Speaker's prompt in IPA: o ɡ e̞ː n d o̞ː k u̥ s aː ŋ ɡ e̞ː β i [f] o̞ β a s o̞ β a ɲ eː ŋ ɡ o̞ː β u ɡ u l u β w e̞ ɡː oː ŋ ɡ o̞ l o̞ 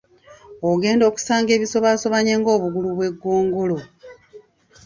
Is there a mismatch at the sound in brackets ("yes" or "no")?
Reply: yes